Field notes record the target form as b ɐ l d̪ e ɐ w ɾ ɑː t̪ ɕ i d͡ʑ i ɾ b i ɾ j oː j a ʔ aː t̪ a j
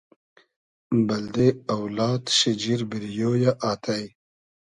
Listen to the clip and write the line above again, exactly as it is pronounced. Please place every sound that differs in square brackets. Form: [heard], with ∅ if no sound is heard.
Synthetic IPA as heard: b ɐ l d̪ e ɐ w [l] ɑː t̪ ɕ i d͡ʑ i ɾ b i ɾ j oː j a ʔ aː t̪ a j